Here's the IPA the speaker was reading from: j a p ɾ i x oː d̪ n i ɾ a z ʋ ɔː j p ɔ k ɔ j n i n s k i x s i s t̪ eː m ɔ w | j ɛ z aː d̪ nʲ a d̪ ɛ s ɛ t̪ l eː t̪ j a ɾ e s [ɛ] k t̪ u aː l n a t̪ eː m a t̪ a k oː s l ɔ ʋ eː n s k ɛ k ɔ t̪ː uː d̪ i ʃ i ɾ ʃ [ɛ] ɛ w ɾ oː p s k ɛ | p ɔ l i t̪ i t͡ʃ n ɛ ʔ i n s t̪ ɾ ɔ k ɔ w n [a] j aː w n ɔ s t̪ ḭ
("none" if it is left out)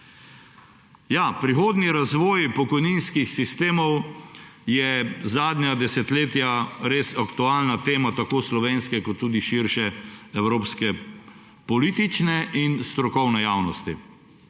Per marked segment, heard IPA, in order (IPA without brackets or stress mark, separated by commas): a, ɛ, ɛ